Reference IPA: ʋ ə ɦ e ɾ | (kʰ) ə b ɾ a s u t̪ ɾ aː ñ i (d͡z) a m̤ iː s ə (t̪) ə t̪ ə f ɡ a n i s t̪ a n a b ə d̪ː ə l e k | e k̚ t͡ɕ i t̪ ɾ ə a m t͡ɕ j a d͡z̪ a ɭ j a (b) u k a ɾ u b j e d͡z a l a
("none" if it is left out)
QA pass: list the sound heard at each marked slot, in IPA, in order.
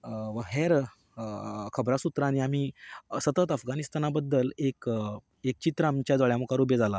kʰ, none, t̪, m

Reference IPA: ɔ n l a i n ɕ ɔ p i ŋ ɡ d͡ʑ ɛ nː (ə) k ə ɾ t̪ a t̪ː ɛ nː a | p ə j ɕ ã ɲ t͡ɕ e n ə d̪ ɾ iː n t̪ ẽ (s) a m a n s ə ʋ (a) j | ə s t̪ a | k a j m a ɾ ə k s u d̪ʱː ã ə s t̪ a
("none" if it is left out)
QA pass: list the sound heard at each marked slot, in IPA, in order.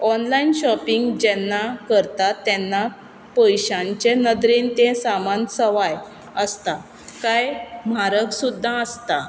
a, s, a

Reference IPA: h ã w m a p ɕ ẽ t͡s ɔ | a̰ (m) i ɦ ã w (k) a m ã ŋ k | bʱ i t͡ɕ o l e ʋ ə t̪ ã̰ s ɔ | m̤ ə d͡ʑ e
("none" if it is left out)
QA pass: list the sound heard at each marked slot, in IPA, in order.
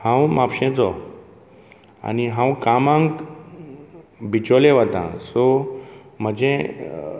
n, k

